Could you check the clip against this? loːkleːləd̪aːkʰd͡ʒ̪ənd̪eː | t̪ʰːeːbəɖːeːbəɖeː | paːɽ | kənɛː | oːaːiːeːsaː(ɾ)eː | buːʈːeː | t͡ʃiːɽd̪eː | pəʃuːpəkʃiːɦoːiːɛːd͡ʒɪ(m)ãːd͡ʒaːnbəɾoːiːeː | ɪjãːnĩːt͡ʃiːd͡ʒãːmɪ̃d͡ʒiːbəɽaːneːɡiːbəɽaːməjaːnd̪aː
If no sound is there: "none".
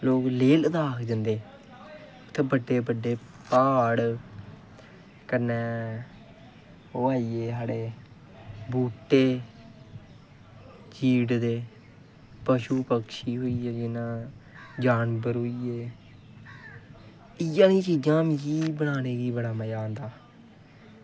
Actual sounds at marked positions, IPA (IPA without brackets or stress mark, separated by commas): ɽ, n